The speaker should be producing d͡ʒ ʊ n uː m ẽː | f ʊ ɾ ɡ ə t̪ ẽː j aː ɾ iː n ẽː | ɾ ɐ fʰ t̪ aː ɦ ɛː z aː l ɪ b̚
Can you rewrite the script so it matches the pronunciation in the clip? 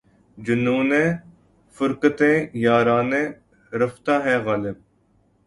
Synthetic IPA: d͡ʒ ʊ n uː n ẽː | f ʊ ɾ k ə t̪ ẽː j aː ɾ aː n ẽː | ɾ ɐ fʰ t̪ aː ɦ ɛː ɣ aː l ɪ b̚